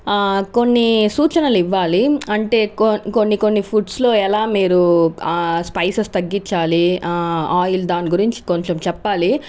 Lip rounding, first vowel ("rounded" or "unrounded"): rounded